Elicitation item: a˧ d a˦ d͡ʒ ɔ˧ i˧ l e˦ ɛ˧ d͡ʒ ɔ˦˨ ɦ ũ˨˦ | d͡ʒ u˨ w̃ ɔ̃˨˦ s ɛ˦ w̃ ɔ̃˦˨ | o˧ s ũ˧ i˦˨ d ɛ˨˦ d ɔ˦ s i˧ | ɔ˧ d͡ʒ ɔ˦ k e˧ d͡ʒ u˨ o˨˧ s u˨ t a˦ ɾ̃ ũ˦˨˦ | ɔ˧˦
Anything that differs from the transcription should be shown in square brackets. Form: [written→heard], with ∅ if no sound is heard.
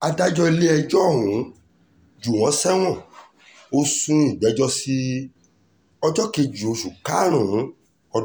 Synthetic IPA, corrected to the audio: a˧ d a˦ d͡ʒ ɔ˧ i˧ l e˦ ɛ˧ d͡ʒ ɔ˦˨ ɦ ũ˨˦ | d͡ʒ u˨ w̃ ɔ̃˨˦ s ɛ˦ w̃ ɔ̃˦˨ | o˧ s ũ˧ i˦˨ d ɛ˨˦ [d→d͡ʒ] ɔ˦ s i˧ | ɔ˧ d͡ʒ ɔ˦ k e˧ d͡ʒ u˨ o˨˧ [s→ʃ] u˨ [t→k] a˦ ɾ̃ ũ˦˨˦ | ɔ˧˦